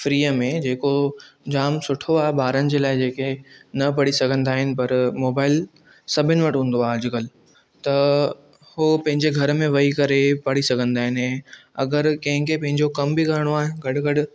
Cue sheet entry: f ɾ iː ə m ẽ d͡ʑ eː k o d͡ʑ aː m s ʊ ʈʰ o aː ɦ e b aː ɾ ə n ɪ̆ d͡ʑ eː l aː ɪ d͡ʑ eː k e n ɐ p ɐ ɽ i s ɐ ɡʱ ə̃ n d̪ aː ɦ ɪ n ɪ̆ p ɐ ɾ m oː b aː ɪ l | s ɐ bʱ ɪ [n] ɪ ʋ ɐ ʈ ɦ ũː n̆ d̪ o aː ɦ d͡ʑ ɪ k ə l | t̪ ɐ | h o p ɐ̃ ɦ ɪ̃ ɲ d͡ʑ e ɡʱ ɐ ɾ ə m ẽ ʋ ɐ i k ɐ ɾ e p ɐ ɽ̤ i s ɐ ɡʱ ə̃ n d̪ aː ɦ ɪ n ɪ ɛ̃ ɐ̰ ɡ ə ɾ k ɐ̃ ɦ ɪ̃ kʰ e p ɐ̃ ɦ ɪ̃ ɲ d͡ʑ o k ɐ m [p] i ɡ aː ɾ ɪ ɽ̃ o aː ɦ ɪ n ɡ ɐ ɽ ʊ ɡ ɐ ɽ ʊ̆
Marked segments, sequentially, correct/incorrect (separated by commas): correct, incorrect